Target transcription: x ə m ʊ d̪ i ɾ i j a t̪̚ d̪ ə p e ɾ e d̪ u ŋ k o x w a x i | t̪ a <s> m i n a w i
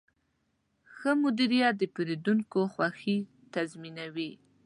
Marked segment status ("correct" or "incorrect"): incorrect